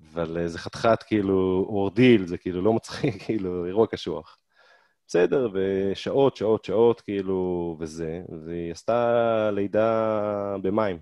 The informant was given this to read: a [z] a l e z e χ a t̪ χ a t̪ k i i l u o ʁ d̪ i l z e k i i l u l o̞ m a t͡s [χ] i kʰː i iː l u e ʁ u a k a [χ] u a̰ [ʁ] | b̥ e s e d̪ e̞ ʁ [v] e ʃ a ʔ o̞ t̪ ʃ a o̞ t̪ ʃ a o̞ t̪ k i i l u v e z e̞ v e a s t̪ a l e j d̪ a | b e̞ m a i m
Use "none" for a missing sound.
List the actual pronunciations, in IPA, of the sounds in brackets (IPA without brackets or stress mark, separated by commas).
v, χ, ʃ, χ, v